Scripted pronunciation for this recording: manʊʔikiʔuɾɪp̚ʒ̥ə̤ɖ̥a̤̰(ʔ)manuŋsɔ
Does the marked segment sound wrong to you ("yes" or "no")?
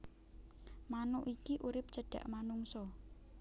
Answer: no